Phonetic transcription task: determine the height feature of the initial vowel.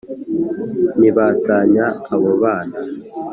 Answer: high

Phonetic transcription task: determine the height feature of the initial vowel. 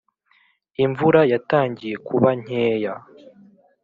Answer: high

